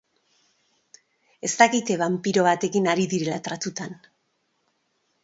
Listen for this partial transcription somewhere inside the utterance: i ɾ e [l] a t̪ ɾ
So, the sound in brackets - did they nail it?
yes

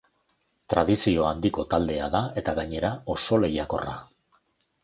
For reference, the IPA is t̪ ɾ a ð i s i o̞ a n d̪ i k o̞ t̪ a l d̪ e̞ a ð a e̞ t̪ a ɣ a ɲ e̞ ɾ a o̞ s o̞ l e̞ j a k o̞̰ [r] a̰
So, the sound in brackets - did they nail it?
yes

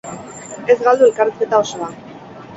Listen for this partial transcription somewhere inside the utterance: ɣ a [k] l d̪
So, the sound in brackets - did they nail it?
no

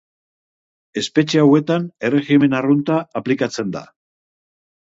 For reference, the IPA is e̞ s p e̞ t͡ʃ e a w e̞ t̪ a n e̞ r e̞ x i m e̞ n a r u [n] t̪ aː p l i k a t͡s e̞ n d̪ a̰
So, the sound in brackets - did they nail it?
yes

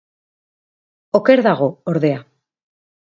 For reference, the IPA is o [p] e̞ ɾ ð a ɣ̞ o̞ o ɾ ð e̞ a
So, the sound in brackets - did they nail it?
no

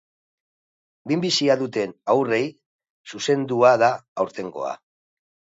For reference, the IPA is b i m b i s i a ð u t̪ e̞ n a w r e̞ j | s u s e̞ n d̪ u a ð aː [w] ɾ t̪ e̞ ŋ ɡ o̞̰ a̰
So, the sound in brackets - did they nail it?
yes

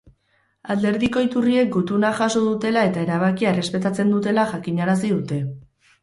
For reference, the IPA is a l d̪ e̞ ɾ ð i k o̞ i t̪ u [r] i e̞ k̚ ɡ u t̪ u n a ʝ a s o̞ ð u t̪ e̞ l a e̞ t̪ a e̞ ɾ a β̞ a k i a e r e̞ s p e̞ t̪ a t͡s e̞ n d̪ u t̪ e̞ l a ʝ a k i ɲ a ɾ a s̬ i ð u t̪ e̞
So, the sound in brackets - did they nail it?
yes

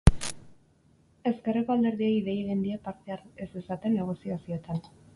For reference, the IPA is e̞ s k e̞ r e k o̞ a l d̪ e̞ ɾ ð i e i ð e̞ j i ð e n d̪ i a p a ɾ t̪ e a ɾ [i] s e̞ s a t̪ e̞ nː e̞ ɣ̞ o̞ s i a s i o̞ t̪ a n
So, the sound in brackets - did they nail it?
no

